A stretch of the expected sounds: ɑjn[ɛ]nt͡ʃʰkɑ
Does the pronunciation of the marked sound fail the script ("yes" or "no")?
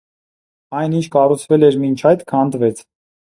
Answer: yes